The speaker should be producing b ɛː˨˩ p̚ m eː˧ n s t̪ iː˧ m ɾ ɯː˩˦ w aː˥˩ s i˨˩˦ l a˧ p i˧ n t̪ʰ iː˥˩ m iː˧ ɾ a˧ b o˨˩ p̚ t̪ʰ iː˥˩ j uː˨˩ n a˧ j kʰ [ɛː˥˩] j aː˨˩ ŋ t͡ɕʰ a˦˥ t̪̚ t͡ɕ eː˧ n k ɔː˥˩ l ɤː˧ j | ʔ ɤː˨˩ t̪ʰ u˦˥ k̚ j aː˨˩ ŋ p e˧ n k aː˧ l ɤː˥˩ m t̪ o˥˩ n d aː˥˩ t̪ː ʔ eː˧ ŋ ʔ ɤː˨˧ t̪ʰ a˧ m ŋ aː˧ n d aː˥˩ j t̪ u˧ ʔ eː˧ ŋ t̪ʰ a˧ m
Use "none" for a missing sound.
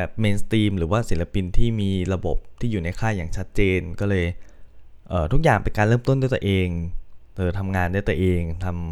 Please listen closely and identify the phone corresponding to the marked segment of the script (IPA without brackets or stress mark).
aː˥˩